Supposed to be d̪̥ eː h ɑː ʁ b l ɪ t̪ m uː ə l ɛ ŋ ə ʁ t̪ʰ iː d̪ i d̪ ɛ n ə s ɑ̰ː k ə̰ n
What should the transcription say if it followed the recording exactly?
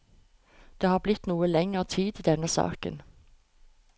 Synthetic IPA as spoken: d̪̥ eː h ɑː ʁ b l ɪ t̪ n uː ə l ɛ ŋ ə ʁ t̪ʰ iː d̪ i d̪ ɛ n ə s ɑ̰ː k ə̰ n

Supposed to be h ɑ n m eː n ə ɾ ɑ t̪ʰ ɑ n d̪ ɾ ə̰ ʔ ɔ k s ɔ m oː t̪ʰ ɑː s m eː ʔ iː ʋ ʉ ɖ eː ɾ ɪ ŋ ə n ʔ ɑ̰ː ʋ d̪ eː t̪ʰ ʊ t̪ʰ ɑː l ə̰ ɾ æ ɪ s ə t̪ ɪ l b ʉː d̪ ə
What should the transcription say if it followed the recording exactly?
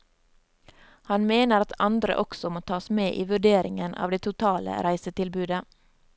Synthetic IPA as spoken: h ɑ n m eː n ə ɾ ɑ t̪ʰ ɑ n d̪ ɾ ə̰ ʔ ɔ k s ɔ m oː t̪ʰ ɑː s m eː ʔ iː ʋ ʉ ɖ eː ɾ ɪ ŋ ə n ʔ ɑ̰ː ʋ d̪ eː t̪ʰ ʊ t̪ʰ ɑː l ə̰ ɾ æ ɪ s ə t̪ ɪ l b ʉː d̪ ə

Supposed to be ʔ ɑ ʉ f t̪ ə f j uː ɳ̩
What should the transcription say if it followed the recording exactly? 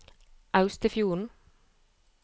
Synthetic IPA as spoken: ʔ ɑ ʉ s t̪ ə f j uː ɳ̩

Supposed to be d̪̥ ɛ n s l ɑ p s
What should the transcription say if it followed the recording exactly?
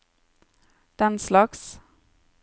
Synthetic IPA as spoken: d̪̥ ɛ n s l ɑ k s

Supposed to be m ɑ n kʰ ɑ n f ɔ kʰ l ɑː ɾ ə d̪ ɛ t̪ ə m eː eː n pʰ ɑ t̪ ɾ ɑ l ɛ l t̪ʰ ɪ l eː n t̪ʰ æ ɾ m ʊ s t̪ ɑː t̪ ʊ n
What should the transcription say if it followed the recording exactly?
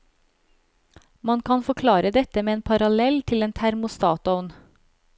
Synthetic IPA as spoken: m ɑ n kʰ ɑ n f ɔ kʰ l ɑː ɾ ə d̪ ɛ t̪ ə m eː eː n pʰ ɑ ɾ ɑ l ɛ l t̪ʰ ɪ l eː n t̪ʰ æ ɾ m ʊ s t̪ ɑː t̪ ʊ n

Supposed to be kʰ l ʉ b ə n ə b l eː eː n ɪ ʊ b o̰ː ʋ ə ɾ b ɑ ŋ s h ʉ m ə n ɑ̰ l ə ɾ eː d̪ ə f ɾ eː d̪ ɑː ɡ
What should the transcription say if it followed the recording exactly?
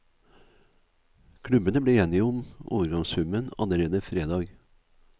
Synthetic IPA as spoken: kʰ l ʉ b ə n ə b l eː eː n ɪ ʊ m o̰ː ʋ ə ɾ ɡ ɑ ŋ s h ʉ m ə n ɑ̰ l ə ɾ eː d̪ ə f ɾ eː d̪ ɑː ɡ

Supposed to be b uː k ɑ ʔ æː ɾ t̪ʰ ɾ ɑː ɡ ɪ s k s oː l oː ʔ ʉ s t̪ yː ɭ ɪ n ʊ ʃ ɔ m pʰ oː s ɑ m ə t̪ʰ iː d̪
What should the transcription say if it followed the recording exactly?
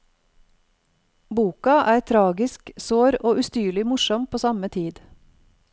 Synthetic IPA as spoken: b uː k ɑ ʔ æː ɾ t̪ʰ ɾ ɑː ɡ ɪ s k s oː ɾ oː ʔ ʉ s t̪ yː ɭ ɪ m ʊ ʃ ɔ m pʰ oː s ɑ m ə t̪ʰ iː d̪

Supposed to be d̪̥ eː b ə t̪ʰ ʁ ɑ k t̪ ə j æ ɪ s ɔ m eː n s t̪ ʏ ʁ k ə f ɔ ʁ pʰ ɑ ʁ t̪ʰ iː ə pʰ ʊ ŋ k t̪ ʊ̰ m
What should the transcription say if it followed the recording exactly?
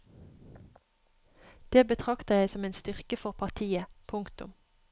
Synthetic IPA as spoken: d̪̥ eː b ə t̪ʰ ʁ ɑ k t̪ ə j æ ɪ s ɔ m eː n s t̪ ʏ ʁ k ə f ɔ ʁ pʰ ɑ ʁ t̪ʰ iː ə pʰ ʊ ŋ k t̪ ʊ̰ m

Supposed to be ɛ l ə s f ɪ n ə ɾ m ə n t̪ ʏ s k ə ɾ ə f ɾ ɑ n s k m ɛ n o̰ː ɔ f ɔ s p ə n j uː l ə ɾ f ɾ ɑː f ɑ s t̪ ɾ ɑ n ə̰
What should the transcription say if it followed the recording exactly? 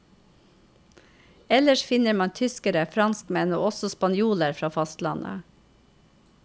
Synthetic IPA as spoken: ɛ l ə ʃ f ɪ n ə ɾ m ɑ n t̪ʰ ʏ s k ə ɾ ə f ɾ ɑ n s k m ɛ n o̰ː ɔ s ɔ s p ɑ n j uː l ə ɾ f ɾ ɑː f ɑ s t̪ l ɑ n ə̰

